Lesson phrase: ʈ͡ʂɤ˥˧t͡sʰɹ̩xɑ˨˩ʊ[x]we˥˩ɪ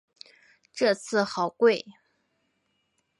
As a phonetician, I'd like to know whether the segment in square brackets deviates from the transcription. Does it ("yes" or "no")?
yes